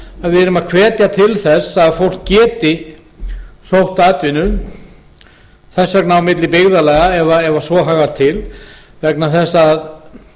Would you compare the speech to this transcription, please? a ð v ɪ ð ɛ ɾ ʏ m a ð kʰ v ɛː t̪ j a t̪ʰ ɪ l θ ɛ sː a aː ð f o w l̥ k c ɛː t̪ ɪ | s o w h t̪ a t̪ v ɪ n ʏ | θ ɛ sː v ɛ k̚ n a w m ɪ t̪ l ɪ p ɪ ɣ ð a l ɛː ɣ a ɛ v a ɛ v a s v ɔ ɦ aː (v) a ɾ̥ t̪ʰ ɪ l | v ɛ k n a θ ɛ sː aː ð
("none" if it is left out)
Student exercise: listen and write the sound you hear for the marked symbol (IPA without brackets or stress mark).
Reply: ɣ